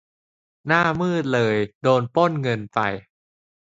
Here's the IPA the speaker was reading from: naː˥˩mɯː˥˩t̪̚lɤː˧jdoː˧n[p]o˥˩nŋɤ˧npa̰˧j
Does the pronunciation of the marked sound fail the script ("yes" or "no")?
no